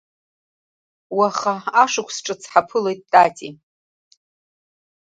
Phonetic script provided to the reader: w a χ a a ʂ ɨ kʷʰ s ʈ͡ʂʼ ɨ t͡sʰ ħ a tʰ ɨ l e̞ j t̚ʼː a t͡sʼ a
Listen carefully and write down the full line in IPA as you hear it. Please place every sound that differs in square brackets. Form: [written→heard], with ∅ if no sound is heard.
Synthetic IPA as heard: w a χ a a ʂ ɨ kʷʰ s ʈ͡ʂʼ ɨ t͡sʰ ħ a [tʰ→pʰ] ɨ l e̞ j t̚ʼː a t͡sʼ [a→i]